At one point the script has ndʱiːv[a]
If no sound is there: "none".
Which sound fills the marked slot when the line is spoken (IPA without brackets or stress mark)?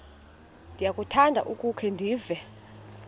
ɛ